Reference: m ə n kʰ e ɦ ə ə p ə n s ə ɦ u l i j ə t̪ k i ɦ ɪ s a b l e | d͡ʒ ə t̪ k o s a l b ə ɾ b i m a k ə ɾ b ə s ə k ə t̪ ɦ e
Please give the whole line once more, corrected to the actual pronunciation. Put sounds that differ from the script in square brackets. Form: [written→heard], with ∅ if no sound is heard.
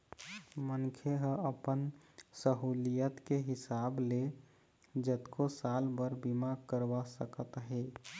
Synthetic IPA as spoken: m ə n kʰ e ɦ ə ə p ə n s ə ɦ u l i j ə t̪ k [i→e] ɦ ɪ s a b l e | d͡ʒ ə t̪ k o s a l b ə ɾ b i m a k ə ɾ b [ə→a] s ə k ə t̪ ɦ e